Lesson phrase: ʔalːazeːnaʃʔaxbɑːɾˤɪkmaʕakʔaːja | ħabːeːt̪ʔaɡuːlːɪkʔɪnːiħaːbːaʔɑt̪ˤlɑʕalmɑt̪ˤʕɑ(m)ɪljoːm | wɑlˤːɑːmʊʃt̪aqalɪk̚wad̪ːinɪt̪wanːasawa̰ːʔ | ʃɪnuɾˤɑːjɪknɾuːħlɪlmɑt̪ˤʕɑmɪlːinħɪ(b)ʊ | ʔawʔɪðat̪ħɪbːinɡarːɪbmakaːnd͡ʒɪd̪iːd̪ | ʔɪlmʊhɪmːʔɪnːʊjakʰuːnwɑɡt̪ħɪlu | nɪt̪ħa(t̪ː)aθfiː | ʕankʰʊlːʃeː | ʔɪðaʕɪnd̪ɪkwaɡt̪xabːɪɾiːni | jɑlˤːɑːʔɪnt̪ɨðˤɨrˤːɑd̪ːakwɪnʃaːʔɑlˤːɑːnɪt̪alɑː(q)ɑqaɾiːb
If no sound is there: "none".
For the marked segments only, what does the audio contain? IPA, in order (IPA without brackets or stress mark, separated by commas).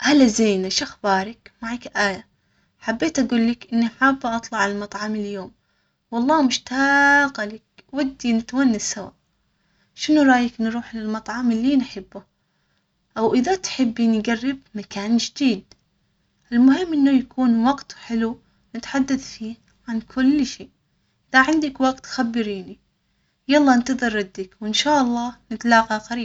m, bː, d̪ː, q